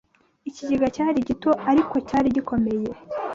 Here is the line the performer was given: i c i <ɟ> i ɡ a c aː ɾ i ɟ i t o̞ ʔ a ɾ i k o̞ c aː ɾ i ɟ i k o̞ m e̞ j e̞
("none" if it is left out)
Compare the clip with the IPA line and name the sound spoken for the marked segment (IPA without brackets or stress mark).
ɟ